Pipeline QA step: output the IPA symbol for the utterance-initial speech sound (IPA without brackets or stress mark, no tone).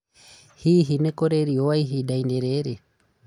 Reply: h